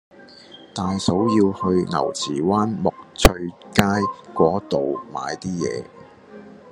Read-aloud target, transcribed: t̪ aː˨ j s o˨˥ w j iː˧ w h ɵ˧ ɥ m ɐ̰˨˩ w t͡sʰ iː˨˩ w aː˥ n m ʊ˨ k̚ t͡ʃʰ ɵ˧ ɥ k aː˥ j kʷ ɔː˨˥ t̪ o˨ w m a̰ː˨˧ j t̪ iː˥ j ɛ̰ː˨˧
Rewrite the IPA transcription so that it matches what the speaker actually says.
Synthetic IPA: t̪ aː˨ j s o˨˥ w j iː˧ w h ɵ˧ ɥ ŋ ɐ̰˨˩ w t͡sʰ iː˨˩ w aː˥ n m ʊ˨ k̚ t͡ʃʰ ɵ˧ ɥ k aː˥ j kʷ ɔː˨˥ t̪ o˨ w m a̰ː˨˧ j t̪ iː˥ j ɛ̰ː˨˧